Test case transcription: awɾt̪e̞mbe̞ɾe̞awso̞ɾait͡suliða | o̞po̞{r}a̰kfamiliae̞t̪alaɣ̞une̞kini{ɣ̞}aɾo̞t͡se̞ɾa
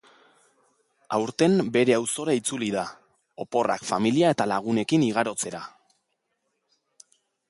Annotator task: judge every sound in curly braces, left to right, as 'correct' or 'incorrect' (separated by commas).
correct, correct